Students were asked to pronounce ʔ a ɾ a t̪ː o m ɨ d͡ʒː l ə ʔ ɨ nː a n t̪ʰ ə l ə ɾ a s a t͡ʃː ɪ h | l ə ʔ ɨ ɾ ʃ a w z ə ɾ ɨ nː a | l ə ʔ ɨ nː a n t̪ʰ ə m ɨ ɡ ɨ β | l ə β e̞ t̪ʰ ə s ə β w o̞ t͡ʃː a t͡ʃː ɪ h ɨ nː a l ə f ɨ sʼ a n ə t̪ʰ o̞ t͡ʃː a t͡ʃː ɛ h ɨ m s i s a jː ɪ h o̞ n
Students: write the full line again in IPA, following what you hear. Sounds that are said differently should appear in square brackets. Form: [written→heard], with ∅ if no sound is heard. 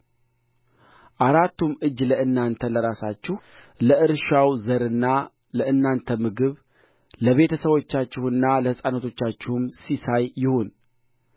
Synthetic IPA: ʔ a ɾ a t̪ː [o→u] m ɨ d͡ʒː l ə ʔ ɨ nː a n t̪ʰ ə l ə ɾ a s a t͡ʃː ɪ h | l ə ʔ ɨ ɾ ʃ a w z ə ɾ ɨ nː a | l ə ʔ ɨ nː a n t̪ʰ ə m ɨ ɡ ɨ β | l ə β e̞ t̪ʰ ə s ə β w o̞ t͡ʃː a t͡ʃː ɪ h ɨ nː a l ə [f→h] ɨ sʼ a n ə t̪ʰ o̞ t͡ʃː a t͡ʃː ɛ h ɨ m s i s a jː ɪ h o̞ n